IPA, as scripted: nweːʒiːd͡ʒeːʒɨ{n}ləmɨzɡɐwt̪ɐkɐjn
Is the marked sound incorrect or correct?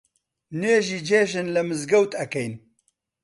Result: correct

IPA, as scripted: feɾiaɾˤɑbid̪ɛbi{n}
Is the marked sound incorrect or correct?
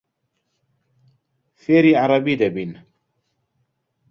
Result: correct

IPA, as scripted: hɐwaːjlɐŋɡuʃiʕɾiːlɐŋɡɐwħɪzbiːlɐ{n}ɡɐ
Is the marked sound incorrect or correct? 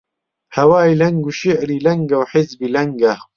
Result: incorrect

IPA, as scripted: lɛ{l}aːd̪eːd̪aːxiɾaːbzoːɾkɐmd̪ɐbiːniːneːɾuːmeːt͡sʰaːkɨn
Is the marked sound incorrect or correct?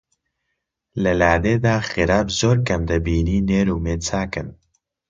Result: correct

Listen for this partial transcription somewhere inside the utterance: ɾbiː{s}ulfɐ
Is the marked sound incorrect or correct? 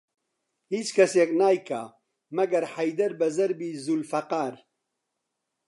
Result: incorrect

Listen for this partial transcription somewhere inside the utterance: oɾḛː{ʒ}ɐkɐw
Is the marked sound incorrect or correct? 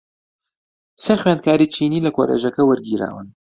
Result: correct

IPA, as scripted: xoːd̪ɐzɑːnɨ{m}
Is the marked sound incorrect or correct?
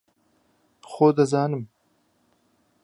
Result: correct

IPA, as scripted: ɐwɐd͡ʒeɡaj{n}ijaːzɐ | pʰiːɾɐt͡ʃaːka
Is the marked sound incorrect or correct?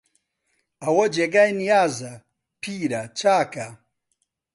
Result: correct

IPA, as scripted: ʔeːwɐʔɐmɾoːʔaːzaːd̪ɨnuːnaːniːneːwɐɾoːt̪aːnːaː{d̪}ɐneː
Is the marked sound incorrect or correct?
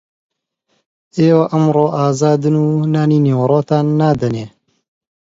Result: correct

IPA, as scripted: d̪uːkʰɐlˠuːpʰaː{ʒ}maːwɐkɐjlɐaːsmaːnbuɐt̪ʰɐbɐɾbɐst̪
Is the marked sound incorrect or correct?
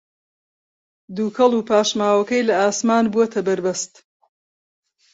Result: incorrect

